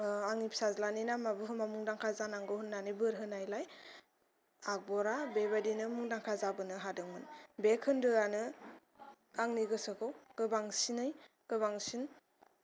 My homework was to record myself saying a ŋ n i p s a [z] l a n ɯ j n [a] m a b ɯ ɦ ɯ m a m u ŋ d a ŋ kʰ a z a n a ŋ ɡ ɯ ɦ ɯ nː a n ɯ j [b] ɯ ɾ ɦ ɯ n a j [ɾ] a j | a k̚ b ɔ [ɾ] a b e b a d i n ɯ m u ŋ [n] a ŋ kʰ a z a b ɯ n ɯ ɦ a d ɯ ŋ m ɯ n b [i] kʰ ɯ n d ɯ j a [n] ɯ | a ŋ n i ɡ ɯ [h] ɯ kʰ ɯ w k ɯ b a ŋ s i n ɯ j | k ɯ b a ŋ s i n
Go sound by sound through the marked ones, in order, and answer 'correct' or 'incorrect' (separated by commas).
correct, correct, correct, incorrect, correct, incorrect, incorrect, correct, incorrect